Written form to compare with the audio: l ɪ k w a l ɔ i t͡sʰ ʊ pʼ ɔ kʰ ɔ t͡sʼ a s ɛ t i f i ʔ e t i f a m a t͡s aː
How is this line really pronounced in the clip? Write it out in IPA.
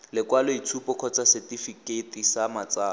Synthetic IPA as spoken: l ɪ k w a l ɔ i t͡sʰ u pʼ ɔ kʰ ɔ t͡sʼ a s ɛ t i f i k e t i s a m a t͡s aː